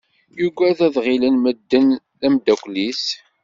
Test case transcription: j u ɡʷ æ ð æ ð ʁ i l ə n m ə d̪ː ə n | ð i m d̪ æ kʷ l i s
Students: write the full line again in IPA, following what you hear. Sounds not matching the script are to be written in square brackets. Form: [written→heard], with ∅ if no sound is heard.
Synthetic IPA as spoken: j u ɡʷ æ ð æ ð ʁ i l ə n m ə d̪ː ə n | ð [i→æ] m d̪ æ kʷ l i s